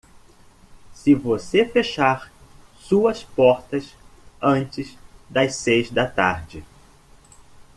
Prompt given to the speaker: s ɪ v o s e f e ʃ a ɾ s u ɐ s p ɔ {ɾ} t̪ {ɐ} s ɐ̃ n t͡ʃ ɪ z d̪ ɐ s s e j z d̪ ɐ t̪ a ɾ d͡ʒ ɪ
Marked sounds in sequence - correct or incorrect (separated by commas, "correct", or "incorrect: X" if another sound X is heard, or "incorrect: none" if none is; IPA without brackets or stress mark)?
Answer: correct, correct